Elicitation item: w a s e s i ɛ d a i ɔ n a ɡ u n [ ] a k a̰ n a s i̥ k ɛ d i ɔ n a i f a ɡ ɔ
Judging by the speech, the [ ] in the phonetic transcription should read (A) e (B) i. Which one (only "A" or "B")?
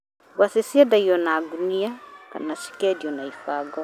B